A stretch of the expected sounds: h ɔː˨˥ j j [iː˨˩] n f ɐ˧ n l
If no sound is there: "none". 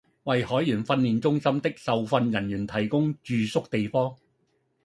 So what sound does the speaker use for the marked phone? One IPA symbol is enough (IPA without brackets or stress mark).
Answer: yː˨˩